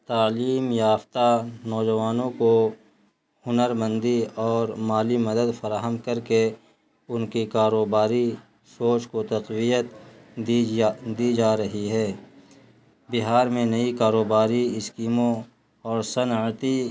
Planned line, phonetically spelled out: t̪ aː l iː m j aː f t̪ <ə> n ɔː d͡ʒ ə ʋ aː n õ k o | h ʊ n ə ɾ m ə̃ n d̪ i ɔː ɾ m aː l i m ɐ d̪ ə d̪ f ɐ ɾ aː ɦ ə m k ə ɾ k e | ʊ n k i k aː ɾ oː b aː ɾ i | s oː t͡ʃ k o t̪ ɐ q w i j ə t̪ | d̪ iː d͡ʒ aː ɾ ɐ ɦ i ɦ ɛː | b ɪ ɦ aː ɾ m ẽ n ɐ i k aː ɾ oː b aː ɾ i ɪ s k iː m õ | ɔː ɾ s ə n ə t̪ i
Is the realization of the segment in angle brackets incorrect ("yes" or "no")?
yes